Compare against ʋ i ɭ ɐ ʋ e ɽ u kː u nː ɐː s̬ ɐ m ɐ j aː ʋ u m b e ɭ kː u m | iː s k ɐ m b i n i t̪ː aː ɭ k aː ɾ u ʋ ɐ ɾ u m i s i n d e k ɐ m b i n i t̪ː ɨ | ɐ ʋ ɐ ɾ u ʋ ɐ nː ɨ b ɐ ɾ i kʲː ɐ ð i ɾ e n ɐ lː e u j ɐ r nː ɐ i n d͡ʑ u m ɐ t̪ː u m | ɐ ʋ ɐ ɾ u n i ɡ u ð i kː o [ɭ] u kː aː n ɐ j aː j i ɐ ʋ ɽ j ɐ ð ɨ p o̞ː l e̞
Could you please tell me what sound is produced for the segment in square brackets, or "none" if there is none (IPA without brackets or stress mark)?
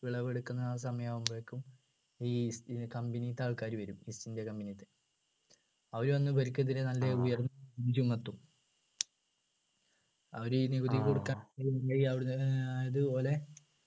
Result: ɽ